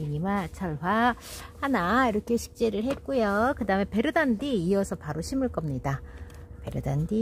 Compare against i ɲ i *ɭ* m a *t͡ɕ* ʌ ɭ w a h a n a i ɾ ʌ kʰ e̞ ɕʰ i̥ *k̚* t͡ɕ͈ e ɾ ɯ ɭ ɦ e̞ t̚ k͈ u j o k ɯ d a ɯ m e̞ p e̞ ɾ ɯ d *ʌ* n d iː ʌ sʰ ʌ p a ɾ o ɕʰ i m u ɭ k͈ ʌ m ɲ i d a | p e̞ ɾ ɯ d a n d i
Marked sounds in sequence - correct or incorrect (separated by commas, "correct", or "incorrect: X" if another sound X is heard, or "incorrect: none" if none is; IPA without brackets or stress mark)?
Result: incorrect: none, incorrect: t͡ɕʰ, correct, incorrect: a